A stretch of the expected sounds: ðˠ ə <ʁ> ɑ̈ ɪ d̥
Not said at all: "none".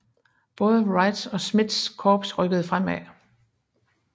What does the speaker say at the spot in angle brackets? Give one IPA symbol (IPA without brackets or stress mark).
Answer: ʁ